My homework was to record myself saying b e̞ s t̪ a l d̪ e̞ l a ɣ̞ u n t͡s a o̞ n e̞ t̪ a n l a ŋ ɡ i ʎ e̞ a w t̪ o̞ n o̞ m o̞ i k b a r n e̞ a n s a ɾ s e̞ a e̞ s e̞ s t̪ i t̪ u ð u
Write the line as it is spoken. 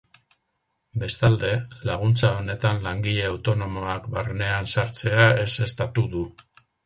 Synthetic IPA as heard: b e̞ s t̪ a l d̪ e̞ l a ɣ̞ u n t͡s a o̞ n e̞ t̪ a n l a ŋ ɡ i ʎ e̞ a w t̪ o̞ n o̞ m o̞ a k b a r n e̞ a n s a ɾ t͡s e̞ a e̞ s e̞ s t̪ a t̪ u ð u